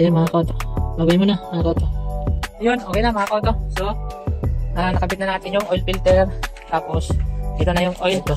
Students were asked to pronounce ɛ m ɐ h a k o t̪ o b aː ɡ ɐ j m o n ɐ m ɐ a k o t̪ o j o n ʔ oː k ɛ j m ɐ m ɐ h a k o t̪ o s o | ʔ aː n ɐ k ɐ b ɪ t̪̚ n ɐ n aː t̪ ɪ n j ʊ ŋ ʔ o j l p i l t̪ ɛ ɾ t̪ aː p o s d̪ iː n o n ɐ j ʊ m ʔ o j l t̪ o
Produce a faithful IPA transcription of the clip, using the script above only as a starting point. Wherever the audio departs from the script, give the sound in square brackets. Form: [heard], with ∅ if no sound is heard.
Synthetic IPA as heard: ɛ m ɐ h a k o t̪ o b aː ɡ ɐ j m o n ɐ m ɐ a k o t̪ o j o n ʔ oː k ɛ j [n] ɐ m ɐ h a k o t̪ o s o | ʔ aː n ɐ k ɐ b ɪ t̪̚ n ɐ n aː t̪ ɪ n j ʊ ŋ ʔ o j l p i l t̪ ɛ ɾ t̪ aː p o s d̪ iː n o n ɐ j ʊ [ŋ] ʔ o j l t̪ o